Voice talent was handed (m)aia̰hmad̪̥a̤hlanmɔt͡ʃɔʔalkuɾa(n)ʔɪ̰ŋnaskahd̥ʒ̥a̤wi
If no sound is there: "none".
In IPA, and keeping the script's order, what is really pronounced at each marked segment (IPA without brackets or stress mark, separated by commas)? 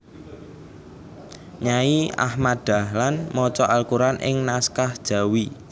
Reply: ɲ, n